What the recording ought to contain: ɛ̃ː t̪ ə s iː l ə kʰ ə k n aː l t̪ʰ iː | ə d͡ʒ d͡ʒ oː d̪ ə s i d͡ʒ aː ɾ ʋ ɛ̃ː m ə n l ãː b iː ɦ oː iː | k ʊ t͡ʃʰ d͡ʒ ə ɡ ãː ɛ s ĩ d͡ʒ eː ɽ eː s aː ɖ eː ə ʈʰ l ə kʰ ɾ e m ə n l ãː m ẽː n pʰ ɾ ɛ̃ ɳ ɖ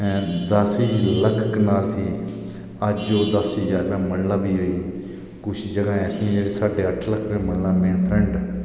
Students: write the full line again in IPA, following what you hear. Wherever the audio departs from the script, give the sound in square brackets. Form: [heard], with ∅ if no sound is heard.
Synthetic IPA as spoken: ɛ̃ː [d̪] ə s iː l ə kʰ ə k n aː l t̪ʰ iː | ə d͡ʒ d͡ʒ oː d̪ ə s i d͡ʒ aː ɾ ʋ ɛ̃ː m ə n l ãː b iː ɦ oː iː | k ʊ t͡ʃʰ d͡ʒ ə ɡ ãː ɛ s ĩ d͡ʒ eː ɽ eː s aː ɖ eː ə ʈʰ l ə kʰ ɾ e m ə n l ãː m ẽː n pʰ ɾ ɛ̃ ɳ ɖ